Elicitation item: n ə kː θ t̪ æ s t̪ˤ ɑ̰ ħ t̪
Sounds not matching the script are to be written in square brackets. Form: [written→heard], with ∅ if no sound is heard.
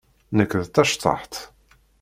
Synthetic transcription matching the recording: n ə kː [θ→ð] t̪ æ [s→ʃ] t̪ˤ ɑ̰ ħ t̪